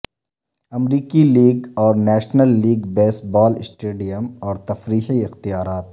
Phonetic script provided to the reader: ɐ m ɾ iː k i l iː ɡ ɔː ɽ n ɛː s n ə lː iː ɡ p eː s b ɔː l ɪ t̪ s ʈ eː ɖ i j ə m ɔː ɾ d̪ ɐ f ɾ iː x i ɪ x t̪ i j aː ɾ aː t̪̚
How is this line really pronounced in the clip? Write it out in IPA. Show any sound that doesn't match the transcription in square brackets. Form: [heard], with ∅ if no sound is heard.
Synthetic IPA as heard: ɐ m ɾ iː k i l iː ɡ ɔː [ɾ] n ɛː [ʃ] n ə lː iː ɡ [b] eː s b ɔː l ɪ [∅] s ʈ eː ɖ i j ə m ɔː ɾ [t̪] ɐ f ɾ iː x i ɪ x t̪ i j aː ɾ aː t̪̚